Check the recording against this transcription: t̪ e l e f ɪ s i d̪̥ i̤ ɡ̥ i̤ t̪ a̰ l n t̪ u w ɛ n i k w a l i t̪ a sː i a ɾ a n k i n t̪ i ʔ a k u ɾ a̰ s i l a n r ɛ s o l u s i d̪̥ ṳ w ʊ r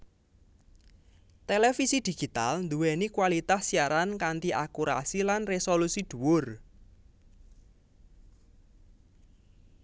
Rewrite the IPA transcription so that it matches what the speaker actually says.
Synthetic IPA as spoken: t̪ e l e f i s i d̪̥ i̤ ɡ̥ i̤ t̪ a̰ l n d̪ u w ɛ n i k w a l i t̪ a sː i a ɾ a n k a n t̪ i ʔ a k u ɾ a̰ s i l a n r e s o l u s i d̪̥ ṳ w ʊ r